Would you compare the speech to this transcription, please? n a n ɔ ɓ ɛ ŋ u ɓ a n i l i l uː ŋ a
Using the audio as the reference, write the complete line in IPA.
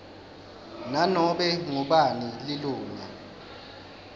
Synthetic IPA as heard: n a n ɔ ɓ ɛ ŋ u ɓ a n i l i l uː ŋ a